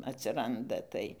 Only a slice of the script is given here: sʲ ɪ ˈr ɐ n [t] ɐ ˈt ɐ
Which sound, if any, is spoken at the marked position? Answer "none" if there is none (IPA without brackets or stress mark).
d